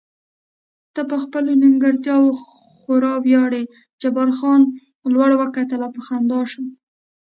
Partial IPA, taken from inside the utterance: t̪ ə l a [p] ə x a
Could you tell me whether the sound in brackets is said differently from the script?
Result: no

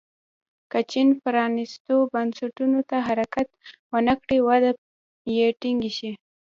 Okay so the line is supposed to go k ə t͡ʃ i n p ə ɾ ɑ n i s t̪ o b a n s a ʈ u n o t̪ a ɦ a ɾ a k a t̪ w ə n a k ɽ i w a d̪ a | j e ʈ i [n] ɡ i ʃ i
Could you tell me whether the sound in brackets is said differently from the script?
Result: yes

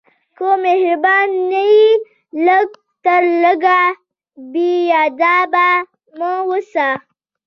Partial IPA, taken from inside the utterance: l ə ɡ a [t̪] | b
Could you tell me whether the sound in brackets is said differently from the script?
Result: yes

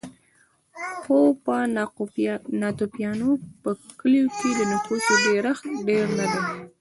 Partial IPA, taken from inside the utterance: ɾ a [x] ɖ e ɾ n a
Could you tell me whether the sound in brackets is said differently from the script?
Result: no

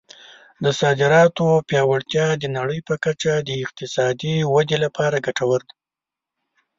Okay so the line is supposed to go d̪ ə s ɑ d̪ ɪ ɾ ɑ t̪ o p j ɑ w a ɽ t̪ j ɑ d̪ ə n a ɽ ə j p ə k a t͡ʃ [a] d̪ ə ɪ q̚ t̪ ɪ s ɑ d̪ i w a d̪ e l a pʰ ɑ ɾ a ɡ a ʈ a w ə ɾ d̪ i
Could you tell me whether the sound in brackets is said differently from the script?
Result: no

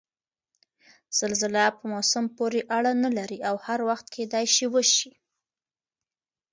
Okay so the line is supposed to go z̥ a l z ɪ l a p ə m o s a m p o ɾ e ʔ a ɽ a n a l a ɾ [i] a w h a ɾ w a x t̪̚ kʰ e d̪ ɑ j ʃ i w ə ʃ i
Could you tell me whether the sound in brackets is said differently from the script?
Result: no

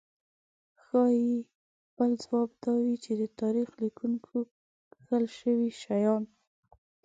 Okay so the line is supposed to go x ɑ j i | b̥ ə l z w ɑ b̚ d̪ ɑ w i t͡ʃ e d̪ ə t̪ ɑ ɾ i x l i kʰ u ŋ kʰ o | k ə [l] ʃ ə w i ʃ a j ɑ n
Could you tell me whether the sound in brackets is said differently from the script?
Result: no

